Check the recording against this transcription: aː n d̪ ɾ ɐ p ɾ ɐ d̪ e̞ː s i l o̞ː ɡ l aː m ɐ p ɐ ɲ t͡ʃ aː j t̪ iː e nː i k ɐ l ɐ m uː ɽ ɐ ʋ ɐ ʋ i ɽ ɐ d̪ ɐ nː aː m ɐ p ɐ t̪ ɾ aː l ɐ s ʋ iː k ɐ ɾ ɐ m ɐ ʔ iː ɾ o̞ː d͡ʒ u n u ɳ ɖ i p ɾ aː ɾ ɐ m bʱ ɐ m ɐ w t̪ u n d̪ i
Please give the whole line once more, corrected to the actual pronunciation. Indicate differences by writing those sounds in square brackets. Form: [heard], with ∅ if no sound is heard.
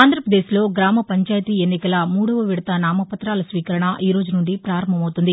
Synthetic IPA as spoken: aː n d̪ ɾ ɐ p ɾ ɐ d̪ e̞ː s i l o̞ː ɡ [ɾ] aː m ɐ p ɐ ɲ t͡ʃ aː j t̪ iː e nː i k ɐ l ɐ m uː ɽ ɐ ʋ ɐ ʋ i ɽ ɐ [t̪] ɐ [n] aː m ɐ p ɐ t̪ ɾ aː l ɐ s ʋ iː k ɐ ɾ ɐ [ɳ] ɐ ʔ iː ɾ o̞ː d͡ʒ u n u ɳ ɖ i p ɾ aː ɾ ɐ m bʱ ɐ m ɐ w t̪ u n d̪ i